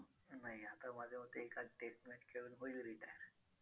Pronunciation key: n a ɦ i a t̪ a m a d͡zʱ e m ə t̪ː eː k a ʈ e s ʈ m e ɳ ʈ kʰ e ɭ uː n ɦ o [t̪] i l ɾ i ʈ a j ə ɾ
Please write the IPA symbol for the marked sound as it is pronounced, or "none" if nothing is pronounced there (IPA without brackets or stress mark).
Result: none